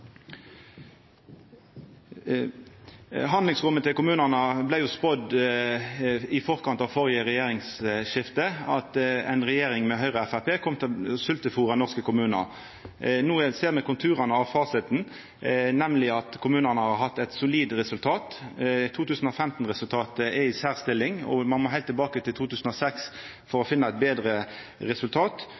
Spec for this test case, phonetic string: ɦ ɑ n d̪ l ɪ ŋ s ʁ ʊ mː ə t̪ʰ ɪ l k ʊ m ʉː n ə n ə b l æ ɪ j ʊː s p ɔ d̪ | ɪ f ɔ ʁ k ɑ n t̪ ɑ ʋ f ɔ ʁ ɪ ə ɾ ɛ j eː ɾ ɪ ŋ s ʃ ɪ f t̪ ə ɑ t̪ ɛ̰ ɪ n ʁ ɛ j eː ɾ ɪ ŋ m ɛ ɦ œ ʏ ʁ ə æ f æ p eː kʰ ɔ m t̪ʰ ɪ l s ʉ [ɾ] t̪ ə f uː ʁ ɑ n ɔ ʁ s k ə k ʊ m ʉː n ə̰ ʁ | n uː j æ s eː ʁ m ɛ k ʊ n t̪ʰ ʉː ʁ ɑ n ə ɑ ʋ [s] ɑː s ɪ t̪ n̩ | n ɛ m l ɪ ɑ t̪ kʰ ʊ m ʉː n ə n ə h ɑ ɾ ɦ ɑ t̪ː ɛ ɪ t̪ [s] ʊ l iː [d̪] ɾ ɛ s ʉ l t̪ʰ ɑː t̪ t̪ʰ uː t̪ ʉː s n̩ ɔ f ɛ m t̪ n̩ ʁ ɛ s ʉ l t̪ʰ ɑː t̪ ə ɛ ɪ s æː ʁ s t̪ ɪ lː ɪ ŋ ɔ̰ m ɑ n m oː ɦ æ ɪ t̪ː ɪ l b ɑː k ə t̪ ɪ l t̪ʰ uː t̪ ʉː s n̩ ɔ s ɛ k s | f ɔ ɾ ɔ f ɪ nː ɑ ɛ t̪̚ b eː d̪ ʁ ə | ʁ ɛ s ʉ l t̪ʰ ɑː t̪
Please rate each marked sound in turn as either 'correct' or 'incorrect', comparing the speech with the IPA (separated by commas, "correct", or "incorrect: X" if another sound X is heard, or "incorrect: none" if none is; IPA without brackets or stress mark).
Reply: incorrect: l, incorrect: f, correct, correct